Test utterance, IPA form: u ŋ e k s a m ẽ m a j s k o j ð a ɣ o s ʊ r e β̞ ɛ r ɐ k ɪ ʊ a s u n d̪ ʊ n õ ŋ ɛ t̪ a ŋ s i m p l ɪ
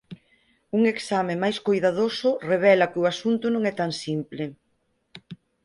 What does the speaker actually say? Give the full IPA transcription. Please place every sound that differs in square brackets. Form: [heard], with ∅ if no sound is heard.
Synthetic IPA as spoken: u ŋ e k s a m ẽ m a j s k o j ð a [ð] o s ʊ r e β̞ ɛ [l] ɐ k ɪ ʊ a s u n [t̪] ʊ n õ ŋ ɛ t̪ a ŋ s i m p l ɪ